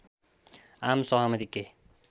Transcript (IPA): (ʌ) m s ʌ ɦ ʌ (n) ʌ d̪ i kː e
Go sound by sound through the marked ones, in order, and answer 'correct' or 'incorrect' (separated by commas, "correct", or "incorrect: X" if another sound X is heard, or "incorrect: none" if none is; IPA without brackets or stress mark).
incorrect: a, incorrect: m